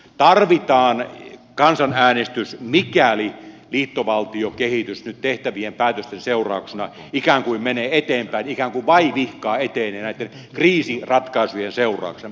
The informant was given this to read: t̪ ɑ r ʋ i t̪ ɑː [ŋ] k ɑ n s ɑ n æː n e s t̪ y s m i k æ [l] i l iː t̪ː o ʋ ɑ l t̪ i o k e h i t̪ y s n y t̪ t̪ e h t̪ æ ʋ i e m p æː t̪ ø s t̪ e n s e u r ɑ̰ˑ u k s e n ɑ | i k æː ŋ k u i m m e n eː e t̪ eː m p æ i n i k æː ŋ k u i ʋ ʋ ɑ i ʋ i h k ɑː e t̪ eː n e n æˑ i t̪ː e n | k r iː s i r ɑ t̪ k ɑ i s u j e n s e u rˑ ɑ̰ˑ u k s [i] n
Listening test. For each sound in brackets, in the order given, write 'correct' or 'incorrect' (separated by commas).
incorrect, correct, incorrect